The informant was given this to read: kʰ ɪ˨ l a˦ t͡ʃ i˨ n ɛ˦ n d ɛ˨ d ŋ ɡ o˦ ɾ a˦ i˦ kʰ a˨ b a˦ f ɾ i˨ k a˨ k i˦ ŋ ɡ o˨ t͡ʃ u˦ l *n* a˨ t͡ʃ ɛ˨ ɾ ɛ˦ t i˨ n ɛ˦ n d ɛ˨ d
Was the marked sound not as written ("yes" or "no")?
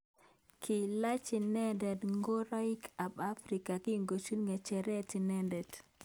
yes